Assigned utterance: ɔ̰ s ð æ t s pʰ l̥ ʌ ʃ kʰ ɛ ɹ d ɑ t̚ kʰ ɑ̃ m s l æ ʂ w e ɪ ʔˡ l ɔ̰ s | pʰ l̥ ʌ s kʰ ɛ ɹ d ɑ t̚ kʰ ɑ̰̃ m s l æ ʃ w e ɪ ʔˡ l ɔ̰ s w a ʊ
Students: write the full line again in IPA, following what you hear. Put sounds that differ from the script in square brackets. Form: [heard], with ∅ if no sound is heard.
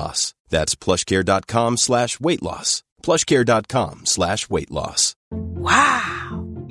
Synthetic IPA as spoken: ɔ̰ s ð æ t s pʰ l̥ ʌ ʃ kʰ ɛ ɹ d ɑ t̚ kʰ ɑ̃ m s l æ [ʃ] w e ɪ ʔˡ l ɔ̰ s | pʰ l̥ ʌ [ʃ] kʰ ɛ ɹ d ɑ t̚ kʰ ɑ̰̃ m s l æ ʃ w e ɪ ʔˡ l ɔ̰ s w a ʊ